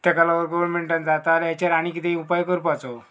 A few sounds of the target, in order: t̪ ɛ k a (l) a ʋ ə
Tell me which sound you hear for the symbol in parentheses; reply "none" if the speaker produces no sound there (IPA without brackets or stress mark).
l